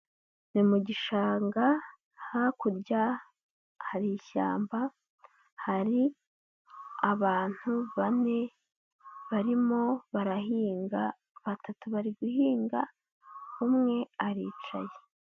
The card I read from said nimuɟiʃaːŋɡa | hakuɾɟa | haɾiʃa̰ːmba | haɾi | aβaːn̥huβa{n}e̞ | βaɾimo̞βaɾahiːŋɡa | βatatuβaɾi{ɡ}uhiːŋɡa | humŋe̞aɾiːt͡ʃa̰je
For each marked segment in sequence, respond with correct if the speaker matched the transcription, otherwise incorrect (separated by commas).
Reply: correct, correct